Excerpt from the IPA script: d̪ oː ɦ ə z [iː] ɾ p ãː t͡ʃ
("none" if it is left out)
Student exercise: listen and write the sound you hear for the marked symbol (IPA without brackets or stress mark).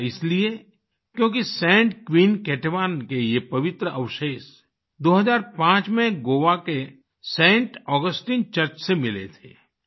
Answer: aː